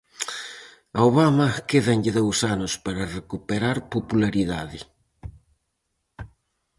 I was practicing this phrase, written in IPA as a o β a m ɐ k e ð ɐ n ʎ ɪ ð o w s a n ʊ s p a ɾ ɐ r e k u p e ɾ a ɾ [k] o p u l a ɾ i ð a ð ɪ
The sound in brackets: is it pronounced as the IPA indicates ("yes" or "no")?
no